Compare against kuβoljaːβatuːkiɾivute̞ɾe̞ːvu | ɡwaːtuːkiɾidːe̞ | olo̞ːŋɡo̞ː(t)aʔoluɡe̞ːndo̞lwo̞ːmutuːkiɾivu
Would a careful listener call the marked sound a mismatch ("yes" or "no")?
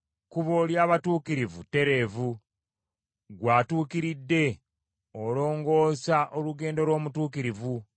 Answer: yes